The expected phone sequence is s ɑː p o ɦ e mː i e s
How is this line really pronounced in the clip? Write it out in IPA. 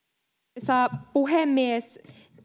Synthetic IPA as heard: s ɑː p u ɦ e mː i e s